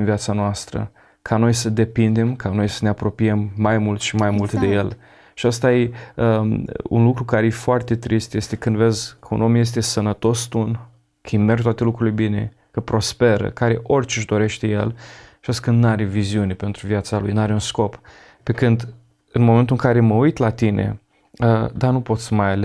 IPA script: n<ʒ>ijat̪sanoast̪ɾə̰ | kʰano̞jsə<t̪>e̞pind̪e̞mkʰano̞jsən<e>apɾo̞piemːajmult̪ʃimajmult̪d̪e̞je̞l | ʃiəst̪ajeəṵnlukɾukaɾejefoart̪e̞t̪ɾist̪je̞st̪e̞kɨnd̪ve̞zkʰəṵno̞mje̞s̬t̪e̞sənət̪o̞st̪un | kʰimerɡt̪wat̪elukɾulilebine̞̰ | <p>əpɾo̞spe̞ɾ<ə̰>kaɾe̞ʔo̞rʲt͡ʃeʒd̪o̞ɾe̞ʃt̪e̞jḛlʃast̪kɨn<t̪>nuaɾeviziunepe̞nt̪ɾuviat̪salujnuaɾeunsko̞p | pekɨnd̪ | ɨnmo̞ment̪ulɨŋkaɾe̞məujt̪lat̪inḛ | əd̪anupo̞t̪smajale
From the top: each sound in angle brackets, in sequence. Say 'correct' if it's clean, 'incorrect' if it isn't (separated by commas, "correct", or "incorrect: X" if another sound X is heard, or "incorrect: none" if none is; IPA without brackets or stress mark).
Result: incorrect: v, incorrect: d̪, correct, incorrect: k, correct, incorrect: d̪